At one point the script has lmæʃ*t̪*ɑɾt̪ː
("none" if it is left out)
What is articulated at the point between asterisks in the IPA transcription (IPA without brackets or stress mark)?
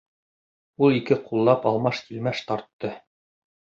t̪